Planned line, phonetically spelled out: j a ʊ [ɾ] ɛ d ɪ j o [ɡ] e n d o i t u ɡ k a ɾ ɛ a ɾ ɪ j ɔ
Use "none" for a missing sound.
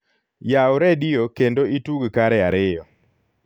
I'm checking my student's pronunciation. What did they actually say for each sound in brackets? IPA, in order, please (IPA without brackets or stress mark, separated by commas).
ɾ, k